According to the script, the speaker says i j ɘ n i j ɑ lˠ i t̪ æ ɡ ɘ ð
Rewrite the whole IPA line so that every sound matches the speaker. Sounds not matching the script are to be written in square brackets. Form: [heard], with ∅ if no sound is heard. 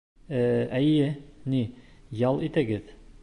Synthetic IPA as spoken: [æ] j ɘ n i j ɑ lˠ i t̪ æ ɡ ɘ ð